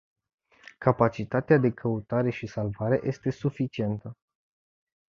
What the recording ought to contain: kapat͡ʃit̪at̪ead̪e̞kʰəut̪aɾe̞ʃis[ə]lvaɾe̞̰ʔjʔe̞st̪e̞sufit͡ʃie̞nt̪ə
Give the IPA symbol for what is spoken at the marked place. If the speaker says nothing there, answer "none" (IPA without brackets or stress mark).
a